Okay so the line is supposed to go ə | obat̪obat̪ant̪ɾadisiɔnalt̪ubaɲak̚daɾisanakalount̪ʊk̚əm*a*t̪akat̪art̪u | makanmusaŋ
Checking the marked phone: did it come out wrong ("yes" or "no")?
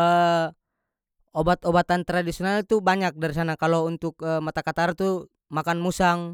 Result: no